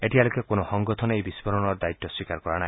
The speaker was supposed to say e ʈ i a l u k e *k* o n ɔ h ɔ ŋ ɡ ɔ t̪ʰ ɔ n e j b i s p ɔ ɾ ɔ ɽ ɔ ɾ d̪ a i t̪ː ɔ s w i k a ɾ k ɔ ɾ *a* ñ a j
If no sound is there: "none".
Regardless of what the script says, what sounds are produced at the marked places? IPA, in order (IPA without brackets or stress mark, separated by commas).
k, a